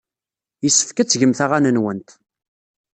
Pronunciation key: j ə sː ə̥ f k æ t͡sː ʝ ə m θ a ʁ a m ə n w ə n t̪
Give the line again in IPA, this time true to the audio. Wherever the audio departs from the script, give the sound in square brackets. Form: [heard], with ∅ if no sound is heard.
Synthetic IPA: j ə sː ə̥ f k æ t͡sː ʝ ə m θ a ʁ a [n] ə n w ə n t̪